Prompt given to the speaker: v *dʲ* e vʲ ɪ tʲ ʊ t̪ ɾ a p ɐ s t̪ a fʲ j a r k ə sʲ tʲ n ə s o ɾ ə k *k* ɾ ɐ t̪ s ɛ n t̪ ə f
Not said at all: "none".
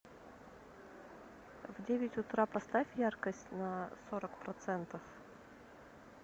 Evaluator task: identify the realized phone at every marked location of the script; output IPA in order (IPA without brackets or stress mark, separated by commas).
dʲ, p